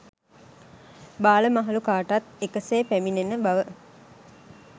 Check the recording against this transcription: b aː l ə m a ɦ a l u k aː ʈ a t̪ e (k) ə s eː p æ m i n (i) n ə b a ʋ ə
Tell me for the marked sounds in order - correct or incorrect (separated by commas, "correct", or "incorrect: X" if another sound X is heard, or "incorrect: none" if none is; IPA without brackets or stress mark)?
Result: correct, incorrect: e